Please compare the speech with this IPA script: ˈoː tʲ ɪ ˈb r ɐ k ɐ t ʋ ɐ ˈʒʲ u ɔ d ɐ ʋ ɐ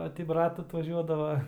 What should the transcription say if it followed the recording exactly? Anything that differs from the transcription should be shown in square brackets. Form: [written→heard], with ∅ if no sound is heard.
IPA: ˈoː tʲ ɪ ˈb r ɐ [k→t] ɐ t ʋ ɐ ˈʒʲ u ɔ d ɐ ʋ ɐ